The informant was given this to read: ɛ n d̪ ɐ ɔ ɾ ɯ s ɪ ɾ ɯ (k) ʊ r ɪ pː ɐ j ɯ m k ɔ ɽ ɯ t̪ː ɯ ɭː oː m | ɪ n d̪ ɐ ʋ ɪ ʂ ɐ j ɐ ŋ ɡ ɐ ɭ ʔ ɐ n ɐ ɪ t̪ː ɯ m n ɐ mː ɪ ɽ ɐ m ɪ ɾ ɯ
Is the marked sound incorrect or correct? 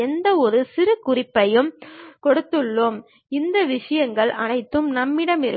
correct